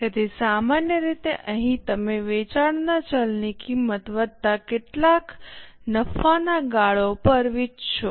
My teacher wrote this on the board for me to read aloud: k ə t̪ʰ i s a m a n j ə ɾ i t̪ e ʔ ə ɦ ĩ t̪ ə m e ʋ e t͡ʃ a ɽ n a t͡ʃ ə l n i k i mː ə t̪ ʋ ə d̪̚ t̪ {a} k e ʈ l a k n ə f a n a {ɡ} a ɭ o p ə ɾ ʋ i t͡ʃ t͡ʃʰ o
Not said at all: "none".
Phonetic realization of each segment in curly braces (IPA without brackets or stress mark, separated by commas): a, ɡ